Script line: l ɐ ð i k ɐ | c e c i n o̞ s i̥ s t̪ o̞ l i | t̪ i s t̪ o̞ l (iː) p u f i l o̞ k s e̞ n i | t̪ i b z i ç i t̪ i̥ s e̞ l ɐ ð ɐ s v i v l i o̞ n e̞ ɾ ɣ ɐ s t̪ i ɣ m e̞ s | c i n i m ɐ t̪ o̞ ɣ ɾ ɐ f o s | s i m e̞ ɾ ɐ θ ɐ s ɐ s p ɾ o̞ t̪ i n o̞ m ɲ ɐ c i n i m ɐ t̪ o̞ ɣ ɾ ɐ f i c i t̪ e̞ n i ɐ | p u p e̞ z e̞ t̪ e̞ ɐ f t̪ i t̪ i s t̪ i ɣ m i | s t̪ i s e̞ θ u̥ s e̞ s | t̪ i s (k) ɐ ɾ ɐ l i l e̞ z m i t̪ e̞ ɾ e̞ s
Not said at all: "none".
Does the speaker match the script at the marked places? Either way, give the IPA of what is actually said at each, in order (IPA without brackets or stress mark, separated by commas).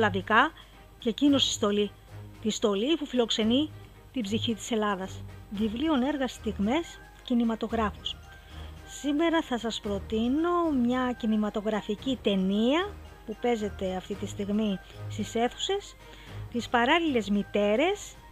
i, p